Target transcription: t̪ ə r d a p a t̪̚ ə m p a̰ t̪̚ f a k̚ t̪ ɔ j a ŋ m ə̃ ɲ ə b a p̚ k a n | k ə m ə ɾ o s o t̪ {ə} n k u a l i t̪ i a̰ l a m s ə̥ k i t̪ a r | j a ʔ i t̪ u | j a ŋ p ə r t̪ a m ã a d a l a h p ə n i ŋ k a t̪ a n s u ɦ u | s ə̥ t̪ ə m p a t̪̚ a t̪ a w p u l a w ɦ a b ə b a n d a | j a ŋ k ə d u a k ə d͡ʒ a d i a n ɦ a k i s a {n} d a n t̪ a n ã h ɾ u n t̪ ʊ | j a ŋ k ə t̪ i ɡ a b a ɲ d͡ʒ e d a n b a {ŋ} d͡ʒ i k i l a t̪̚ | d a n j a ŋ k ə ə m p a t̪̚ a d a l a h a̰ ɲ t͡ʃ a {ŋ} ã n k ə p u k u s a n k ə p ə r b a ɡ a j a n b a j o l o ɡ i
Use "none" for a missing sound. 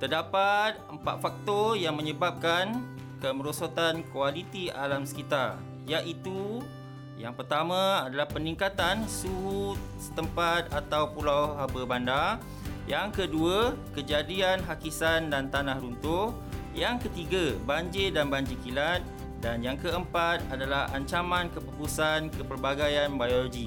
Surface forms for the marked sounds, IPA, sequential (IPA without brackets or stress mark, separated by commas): a, n, ɲ, m